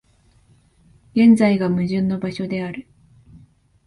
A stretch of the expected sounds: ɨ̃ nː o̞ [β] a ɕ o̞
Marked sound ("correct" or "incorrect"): incorrect